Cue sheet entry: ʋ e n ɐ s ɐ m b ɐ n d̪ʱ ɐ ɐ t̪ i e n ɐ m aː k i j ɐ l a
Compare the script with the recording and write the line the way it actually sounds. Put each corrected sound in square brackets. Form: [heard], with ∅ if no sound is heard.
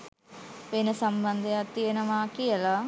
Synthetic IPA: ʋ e n ɐ s ɐ m b ɐ n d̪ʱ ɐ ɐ t̪ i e n ɐ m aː k i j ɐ l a